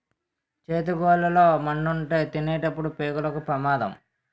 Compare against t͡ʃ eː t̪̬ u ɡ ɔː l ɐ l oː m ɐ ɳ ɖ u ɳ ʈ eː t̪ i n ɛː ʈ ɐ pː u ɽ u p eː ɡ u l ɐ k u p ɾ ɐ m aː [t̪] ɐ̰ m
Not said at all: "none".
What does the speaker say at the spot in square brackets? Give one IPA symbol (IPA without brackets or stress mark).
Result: d̪